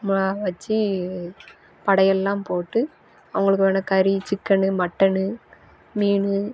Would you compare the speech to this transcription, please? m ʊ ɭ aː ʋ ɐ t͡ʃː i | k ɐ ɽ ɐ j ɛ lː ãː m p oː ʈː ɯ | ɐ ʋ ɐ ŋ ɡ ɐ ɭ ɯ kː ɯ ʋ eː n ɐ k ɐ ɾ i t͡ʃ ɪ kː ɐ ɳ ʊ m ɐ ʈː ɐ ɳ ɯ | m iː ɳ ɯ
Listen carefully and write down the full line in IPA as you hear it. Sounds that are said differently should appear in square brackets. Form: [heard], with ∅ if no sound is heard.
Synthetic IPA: m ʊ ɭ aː ʋ ɐ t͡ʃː i | [p] ɐ ɽ ɐ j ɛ lː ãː m p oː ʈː ɯ | ɐ ʋ ɐ ŋ ɡ ɐ ɭ ɯ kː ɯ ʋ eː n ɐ k ɐ ɾ i t͡ʃ ɪ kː ɐ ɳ [ɯ] m ɐ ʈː ɐ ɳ ɯ | m iː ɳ ɯ